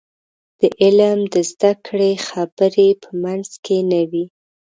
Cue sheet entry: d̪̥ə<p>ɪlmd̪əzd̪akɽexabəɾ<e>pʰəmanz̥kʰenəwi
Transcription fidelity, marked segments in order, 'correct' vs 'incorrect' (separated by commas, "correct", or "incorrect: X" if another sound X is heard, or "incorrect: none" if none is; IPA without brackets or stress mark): incorrect: ʔ, correct